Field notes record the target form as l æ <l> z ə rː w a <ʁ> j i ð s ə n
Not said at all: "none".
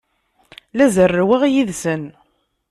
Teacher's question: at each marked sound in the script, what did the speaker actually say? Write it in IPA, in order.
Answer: none, ʁ

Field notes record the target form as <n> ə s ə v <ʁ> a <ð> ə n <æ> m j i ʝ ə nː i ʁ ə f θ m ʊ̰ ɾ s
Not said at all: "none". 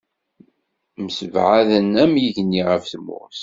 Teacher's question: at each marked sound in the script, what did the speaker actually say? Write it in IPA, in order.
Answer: m, ʕ, ð, æ

